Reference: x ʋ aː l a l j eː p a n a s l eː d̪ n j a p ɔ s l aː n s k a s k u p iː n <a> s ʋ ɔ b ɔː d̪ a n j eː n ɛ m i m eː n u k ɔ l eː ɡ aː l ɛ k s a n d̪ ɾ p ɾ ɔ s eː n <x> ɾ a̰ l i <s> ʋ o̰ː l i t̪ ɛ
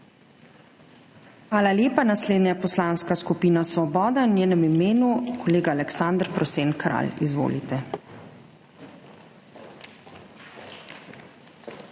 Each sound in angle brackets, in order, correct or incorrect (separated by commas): correct, incorrect, incorrect